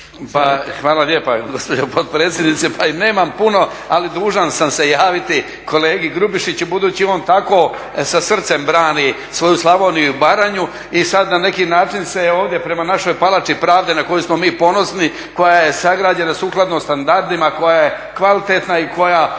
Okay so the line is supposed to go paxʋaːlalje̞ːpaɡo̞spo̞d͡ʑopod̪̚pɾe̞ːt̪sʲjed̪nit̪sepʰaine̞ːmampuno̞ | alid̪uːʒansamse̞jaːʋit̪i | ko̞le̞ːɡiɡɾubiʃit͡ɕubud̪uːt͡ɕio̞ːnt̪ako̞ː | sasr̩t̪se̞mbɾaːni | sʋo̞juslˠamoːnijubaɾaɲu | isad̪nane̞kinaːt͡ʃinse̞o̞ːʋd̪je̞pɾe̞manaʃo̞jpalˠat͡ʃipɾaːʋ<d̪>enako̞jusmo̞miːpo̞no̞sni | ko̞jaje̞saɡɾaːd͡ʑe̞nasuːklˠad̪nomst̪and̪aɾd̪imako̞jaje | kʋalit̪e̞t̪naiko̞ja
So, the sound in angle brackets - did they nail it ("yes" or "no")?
yes